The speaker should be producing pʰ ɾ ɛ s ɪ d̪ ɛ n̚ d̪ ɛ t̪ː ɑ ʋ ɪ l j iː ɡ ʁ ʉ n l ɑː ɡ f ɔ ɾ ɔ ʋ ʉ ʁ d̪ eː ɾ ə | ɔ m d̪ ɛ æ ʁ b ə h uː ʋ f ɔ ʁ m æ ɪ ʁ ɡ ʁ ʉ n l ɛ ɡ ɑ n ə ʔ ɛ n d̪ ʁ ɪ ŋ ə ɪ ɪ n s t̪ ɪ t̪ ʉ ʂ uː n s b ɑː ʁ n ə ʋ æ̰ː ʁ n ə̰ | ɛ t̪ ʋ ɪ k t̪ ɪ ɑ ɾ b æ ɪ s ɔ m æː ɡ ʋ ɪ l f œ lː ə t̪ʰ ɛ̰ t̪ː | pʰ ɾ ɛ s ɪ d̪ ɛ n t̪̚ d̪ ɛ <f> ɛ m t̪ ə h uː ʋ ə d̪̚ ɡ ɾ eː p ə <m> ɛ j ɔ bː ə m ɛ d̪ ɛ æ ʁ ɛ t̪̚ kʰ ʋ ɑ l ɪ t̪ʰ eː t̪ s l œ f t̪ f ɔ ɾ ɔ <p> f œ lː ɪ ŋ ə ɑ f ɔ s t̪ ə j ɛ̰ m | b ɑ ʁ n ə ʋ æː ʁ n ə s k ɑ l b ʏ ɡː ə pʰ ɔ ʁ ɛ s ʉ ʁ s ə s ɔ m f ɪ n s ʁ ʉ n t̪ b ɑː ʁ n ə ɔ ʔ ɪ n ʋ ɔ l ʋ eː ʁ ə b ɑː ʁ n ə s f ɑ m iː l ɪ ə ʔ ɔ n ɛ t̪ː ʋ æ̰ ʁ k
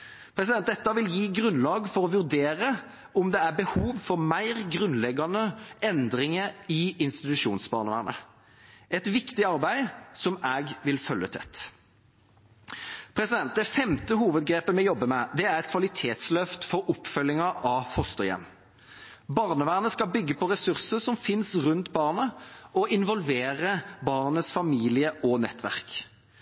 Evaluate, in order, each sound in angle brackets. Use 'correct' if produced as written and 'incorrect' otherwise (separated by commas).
correct, correct, correct